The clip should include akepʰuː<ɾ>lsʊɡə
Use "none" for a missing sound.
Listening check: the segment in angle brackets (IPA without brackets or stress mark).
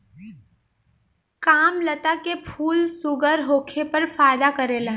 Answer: none